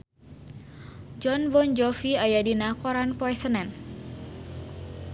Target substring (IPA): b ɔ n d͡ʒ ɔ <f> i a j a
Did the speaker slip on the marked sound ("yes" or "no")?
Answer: no